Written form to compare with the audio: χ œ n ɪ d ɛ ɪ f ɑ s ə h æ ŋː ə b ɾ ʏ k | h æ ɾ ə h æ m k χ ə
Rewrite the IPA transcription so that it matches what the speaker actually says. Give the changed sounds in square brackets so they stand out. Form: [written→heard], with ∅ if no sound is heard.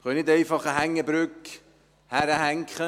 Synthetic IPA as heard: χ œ n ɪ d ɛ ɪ f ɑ [s→χ] ə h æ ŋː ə b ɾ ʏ k | h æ ɾ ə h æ [m→ŋ] k χ ə